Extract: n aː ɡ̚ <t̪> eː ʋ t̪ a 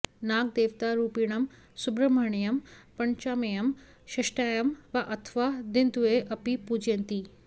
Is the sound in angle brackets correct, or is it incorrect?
incorrect